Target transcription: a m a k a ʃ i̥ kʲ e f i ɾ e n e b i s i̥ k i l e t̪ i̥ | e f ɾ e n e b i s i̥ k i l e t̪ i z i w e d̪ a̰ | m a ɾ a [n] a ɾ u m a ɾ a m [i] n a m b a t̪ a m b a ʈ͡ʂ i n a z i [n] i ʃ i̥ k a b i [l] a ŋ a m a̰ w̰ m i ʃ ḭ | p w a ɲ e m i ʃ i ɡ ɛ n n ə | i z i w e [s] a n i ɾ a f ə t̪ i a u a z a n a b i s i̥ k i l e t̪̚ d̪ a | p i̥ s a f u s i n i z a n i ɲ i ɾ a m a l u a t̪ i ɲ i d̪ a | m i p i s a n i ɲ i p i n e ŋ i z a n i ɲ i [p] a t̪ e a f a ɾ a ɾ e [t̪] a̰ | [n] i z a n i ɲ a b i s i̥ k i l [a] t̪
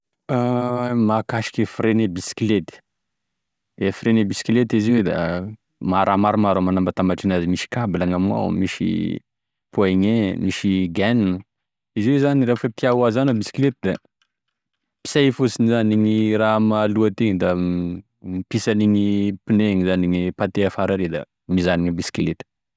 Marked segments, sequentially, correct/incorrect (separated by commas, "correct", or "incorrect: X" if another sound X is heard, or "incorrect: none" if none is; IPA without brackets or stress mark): incorrect: m, incorrect: a, incorrect: m, correct, incorrect: z, correct, incorrect: d̪, incorrect: m, incorrect: e